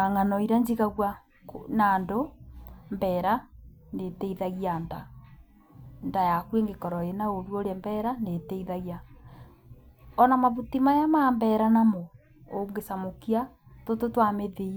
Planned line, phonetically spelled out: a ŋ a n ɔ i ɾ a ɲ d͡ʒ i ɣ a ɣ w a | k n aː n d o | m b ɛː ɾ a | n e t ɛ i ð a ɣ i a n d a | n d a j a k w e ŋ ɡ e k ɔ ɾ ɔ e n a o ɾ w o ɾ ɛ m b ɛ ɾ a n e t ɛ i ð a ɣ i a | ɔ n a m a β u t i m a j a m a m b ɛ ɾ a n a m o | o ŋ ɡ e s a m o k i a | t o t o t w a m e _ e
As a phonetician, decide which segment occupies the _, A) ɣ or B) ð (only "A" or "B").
B